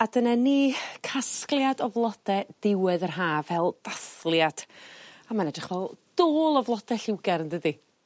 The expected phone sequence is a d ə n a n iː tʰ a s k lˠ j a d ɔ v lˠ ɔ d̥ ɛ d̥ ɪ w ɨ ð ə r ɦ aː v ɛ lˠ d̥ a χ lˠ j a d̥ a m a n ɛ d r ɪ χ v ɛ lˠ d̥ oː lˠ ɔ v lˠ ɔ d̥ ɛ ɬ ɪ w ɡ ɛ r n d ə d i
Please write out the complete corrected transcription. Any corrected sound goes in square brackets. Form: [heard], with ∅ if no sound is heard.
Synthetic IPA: a d ə n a n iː [kʰ] a s k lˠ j a d ɔ v lˠ ɔ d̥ ɛ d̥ ɪ w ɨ ð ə r ɦ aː v ɛ lˠ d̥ a [θ] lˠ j a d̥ a m a n ɛ d r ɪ χ v ɛ lˠ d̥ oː lˠ ɔ v lˠ ɔ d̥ ɛ ɬ ɪ w ɡ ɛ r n d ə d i